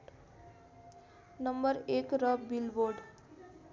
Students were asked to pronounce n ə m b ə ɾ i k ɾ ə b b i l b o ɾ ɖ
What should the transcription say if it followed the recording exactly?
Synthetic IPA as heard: n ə m b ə ɾ e k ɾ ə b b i l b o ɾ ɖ